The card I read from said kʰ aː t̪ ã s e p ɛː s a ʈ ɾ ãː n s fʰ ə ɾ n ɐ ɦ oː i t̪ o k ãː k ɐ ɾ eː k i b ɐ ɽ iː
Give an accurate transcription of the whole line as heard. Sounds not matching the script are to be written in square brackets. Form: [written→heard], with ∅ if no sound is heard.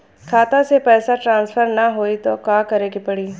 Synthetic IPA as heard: kʰ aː t̪ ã s e p ɛː s a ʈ ɾ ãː n s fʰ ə ɾ n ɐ ɦ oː i t̪ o k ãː k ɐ ɾ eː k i [b→p] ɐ ɽ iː

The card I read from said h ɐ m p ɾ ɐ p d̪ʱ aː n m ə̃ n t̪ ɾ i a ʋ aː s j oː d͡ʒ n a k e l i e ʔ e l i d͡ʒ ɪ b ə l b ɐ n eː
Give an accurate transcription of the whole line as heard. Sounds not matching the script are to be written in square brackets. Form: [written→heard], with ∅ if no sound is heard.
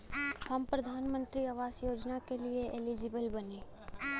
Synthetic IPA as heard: h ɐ m p ɾ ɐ [p→∅] d̪ʱ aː n m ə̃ n t̪ ɾ i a ʋ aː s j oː d͡ʒ n a k e l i e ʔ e l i d͡ʒ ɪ b ə l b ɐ n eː

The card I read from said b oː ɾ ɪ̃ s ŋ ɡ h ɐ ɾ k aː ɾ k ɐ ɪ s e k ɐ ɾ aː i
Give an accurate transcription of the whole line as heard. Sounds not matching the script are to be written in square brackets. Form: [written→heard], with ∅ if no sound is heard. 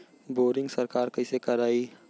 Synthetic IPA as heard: b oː ɾ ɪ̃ [s→∅] ŋ ɡ [h→s] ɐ ɾ k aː ɾ k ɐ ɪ s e k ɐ ɾ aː i

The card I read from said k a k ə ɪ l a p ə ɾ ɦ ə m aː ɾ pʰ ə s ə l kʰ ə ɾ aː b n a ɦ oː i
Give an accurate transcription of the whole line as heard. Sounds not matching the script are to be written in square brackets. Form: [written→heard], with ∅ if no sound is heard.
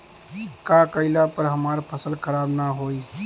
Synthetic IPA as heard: k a k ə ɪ l a p ə ɾ ɦ ə m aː ɾ pʰ ə s ə l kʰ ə ɾ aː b n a ɦ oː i

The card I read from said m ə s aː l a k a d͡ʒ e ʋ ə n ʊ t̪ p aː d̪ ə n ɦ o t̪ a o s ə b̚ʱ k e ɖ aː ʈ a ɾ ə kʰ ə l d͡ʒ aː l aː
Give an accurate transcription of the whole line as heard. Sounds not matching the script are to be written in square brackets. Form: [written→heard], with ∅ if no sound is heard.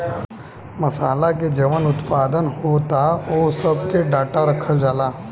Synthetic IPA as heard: m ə s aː l a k [a→e] d͡ʒ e ʋ ə n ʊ t̪ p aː d̪ ə n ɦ o t̪ a o s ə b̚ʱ k e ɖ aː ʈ a ɾ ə kʰ ə l d͡ʒ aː l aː

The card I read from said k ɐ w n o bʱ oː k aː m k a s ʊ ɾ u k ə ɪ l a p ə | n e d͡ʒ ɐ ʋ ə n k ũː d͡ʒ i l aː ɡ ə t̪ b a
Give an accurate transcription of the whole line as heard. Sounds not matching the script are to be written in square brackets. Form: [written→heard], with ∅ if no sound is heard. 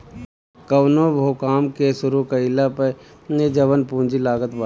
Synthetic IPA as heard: k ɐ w n o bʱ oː k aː m k [a→e] s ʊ ɾ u k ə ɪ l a p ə | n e d͡ʒ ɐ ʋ ə n [k→p] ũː d͡ʒ i l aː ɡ ə t̪ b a

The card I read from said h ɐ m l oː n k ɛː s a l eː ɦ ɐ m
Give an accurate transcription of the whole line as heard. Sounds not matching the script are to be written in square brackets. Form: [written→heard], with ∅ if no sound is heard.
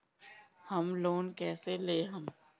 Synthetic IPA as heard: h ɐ m l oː n k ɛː s [a→e] l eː ɦ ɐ m

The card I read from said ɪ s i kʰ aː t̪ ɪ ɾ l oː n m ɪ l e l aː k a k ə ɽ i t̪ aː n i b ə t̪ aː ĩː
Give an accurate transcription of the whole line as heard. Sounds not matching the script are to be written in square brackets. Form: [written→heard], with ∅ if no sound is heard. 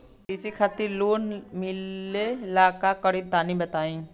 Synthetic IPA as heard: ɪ s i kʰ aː t̪ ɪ ɾ l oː n m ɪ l e l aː k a k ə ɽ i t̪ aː n i b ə t̪ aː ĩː

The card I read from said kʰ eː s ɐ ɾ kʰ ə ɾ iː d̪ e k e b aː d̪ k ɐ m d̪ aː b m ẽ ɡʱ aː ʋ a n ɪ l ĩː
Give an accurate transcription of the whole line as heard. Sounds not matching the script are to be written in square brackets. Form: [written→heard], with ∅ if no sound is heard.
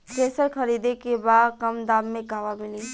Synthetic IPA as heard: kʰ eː s [ɐ→ə] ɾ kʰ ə ɾ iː d̪ e k e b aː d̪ k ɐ m d̪ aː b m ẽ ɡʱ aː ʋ a [n→m] ɪ l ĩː

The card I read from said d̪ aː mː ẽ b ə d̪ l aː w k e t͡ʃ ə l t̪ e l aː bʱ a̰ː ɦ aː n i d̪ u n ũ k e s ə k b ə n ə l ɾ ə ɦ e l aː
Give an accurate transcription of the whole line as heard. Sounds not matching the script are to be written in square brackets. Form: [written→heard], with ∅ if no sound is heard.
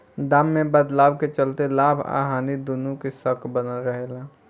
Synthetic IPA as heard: d̪ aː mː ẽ b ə d̪ l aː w k e t͡ʃ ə l t̪ e l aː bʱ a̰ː ɦ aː n i d̪ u n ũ k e s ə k b ə n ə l ɾ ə ɦ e l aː

